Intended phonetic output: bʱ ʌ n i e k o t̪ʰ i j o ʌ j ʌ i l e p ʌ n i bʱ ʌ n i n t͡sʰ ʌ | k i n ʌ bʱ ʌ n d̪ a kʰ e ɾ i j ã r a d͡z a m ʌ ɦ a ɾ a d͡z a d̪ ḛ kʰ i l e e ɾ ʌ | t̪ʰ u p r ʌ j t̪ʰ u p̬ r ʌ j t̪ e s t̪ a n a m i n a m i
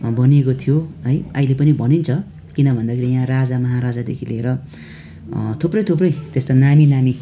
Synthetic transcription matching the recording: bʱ ʌ n i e k o t̪ʰ i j o ʌ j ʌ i l e p ʌ n i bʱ ʌ n i n t͡sʰ ʌ | k i n ʌ bʱ ʌ n d̪ a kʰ e ɾ i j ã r a d͡z a m ʌ ɦ a ɾ a d͡z a d̪ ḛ kʰ i l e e ɾ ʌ | t̪ʰ u p r ʌ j t̪ʰ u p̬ r ʌ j t̪ e s t̪ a n a m i n a m i